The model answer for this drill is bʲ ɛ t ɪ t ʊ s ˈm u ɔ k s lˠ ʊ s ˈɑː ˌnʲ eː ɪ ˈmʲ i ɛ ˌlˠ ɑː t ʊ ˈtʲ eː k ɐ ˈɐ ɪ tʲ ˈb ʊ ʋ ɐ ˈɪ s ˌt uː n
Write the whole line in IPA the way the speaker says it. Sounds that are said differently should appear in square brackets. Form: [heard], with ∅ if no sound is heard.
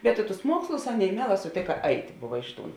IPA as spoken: bʲ ɛ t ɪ t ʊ s ˈm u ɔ k s lˠ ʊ s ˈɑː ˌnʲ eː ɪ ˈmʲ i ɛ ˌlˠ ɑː [s] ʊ ˈtʲ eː k ɐ ˈɐ ɪ tʲ ˈb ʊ ʋ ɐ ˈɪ [ʃ] ˌt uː n